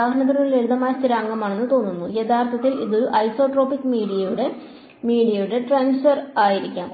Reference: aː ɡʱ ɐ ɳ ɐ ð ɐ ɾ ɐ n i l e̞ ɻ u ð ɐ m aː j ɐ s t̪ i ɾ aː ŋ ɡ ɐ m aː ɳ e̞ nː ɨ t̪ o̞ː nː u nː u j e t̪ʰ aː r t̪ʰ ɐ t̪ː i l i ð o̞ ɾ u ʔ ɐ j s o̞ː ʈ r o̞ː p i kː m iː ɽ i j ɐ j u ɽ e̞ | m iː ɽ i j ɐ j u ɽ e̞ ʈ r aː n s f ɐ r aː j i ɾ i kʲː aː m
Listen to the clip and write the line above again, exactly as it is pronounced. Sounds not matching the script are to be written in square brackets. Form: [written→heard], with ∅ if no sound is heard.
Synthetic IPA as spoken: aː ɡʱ ɐ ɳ ɐ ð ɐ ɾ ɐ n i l e̞ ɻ u ð ɐ m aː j ɐ s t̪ i ɾ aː ŋ ɡ ɐ m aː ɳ e̞ nː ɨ t̪ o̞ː nː u nː u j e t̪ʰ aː r t̪ʰ ɐ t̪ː i l i ð o̞ ɾ u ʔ ɐ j s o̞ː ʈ r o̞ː p i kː m iː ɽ i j ɐ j u ɽ e̞ | m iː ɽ i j ɐ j u ɽ e̞ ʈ r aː n s f ɐ r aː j i ɾ i kʲː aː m